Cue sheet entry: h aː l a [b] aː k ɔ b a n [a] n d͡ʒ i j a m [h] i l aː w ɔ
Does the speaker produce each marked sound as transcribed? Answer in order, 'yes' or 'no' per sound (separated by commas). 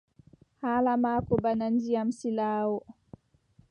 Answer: no, yes, no